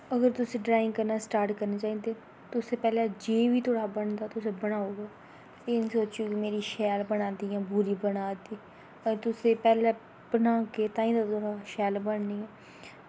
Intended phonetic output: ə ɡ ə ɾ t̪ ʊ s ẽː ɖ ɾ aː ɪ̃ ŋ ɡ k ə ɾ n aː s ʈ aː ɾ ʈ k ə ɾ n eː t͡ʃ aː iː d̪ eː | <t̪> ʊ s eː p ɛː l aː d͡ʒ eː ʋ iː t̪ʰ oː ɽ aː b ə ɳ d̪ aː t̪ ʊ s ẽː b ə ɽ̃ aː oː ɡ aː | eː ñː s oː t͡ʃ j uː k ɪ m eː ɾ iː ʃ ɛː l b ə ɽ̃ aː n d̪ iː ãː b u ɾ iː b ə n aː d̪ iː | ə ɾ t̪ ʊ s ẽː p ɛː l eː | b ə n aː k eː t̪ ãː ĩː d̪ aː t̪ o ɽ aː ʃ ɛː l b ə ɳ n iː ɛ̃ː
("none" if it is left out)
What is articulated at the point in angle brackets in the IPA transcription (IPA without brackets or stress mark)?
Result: t̪